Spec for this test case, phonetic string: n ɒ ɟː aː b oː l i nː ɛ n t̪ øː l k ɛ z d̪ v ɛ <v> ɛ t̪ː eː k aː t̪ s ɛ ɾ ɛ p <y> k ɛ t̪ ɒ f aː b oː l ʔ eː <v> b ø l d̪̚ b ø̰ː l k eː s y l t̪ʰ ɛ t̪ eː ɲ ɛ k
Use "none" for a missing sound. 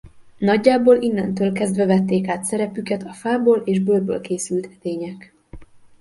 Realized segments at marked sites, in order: v, y, ʒ

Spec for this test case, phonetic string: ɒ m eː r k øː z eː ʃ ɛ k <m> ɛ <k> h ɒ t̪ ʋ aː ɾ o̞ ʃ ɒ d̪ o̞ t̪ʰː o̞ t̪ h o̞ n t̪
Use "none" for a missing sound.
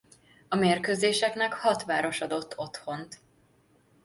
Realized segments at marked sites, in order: n, k

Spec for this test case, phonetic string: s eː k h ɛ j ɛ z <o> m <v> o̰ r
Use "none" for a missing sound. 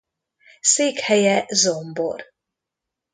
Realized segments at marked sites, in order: o, b

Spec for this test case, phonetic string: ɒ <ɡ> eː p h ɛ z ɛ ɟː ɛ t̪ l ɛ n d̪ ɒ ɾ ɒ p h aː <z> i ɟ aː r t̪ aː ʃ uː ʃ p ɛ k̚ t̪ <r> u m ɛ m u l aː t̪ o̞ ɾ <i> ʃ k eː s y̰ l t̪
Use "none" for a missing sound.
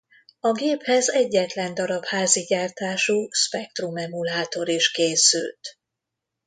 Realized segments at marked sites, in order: ɡ, z, r, i

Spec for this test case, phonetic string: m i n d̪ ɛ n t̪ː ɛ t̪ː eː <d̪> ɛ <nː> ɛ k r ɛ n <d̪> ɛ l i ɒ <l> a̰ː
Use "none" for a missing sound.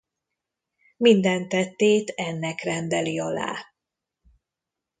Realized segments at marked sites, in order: t̪, nː, d̪, l

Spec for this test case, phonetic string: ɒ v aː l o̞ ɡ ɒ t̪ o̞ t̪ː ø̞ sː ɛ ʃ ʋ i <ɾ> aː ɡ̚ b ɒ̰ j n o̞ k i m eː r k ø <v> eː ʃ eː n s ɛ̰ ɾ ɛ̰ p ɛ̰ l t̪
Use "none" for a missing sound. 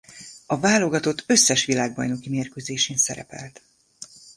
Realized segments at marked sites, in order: l, z

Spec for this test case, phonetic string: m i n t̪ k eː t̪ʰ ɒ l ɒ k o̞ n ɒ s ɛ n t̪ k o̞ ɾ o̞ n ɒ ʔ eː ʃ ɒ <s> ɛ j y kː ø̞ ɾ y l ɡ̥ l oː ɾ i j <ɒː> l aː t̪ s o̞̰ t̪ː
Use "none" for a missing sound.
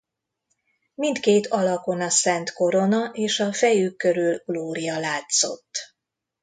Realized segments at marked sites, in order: f, ɒ

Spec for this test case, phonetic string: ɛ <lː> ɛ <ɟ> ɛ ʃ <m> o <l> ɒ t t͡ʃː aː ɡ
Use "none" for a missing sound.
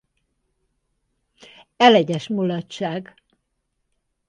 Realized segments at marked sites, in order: l, ɟ, m, l

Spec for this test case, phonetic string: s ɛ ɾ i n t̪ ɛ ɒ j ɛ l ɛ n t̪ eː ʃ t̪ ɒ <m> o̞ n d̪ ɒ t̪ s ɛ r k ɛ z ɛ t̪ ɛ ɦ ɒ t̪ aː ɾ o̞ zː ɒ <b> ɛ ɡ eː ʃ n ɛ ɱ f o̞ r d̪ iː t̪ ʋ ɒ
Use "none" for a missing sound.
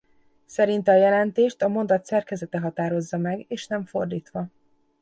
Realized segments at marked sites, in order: m, m

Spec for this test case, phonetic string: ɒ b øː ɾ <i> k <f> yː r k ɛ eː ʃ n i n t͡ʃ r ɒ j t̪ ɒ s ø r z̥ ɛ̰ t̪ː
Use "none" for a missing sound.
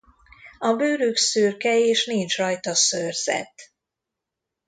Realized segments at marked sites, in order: y, s

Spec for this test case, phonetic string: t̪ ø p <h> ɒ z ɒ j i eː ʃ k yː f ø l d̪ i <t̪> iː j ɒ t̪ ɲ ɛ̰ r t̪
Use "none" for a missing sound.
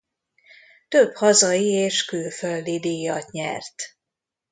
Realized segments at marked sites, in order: h, d̪

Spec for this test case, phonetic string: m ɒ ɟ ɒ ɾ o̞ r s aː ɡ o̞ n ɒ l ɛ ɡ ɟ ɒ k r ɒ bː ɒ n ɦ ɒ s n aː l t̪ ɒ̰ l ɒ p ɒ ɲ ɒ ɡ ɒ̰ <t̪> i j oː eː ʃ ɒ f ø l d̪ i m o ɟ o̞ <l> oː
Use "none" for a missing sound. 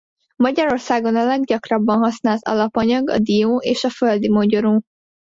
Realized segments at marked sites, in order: d̪, ɾ

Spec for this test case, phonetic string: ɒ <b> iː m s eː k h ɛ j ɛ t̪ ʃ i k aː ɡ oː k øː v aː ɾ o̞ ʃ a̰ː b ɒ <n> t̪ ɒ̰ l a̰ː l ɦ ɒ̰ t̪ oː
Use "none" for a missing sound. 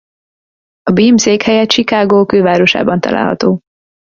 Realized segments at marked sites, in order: b, n

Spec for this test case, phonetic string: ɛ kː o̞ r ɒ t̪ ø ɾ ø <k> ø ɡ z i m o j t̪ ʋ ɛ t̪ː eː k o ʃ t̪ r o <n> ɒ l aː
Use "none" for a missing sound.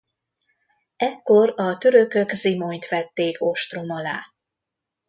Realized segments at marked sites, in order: k, m

